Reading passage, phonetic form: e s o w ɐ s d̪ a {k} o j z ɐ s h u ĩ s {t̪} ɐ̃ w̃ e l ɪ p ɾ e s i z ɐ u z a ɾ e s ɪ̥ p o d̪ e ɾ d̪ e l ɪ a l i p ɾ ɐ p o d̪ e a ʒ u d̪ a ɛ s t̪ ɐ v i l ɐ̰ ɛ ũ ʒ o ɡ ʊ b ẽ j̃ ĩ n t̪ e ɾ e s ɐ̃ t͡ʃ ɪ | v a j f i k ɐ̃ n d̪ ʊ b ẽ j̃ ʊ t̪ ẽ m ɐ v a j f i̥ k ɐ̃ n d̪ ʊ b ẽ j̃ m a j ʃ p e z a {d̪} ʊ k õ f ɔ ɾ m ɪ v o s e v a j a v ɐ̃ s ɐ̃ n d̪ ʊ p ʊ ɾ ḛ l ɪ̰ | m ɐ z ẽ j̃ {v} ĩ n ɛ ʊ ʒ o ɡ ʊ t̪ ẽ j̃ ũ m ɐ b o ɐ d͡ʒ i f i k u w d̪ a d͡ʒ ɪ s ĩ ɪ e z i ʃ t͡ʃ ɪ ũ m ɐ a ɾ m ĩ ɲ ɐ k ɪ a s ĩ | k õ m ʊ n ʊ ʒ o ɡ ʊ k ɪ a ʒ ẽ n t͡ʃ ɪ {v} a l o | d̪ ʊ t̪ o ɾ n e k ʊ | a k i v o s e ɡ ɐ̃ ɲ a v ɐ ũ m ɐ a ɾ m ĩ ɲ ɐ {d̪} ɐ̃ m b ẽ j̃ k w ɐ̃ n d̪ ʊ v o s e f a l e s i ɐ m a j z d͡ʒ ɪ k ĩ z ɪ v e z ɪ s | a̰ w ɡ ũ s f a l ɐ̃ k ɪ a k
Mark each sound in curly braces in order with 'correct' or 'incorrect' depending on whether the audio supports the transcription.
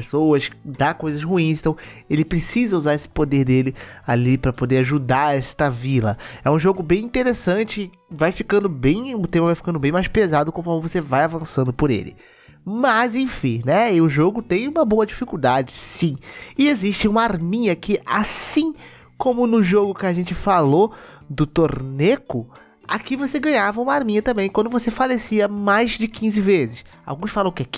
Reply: correct, correct, correct, incorrect: f, incorrect: f, incorrect: t̪

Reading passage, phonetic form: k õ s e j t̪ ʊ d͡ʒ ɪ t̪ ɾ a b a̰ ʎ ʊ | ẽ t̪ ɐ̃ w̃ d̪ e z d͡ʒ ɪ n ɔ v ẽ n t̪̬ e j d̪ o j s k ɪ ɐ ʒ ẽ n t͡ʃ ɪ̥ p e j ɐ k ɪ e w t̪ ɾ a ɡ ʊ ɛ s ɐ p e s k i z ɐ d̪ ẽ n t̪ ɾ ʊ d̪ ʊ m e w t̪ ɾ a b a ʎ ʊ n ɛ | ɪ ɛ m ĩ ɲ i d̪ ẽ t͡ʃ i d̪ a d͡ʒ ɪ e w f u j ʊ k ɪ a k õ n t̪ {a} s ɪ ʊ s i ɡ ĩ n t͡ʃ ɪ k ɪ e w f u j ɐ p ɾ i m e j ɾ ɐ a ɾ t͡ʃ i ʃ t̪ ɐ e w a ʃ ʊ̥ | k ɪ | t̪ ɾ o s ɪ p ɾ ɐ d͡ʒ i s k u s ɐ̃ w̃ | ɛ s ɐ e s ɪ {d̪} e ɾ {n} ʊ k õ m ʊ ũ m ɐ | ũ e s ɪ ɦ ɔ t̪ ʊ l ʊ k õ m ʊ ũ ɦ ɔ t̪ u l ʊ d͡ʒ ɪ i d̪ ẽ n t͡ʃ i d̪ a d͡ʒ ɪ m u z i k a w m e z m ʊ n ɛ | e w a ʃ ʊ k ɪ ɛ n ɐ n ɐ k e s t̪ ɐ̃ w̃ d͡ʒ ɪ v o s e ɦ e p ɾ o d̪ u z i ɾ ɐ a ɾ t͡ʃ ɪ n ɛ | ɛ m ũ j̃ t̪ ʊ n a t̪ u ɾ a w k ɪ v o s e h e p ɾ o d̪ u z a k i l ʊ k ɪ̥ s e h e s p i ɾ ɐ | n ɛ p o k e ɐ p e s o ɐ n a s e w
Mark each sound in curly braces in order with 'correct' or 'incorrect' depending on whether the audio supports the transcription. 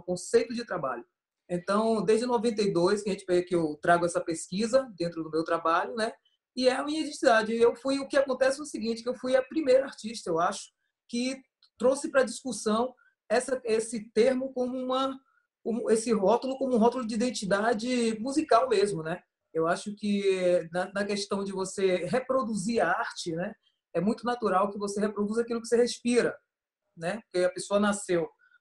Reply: incorrect: ɛ, incorrect: t̪, incorrect: m

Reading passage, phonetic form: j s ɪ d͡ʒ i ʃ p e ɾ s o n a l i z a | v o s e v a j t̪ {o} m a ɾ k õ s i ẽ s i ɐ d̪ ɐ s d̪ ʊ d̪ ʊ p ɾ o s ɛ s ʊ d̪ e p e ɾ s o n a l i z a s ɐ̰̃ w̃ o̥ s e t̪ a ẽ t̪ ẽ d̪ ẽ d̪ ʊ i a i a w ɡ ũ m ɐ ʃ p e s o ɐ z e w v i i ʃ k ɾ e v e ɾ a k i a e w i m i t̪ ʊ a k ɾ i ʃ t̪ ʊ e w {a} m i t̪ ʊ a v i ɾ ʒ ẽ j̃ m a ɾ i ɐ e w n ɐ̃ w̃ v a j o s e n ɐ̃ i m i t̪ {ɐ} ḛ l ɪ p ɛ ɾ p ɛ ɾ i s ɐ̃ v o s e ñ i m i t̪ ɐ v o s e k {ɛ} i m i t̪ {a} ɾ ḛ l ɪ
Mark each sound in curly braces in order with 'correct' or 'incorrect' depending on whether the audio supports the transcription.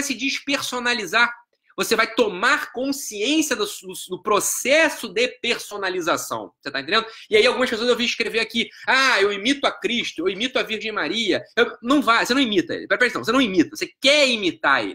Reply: correct, incorrect: i, correct, correct, correct

